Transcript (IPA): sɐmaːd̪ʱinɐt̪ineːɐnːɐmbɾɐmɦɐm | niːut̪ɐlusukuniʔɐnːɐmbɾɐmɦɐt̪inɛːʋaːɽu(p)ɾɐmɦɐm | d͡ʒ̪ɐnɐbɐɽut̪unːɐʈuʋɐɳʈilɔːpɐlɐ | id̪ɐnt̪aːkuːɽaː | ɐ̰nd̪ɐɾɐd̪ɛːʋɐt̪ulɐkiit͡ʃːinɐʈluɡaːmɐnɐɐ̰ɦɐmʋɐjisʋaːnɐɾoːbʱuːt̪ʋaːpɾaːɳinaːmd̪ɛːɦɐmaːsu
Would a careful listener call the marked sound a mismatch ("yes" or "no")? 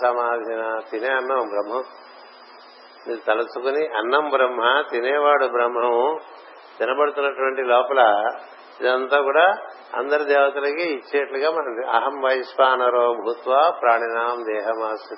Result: yes